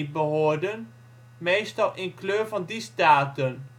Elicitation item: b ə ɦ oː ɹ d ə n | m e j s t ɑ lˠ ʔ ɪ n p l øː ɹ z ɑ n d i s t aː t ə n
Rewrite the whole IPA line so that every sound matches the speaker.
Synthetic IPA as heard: b ə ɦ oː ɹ d ə n | m e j s t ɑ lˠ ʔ ɪ n k l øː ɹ v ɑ n d i s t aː t ə n